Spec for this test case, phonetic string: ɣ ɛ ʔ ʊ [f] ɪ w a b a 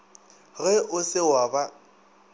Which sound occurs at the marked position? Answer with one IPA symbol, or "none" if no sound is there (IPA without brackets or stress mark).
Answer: s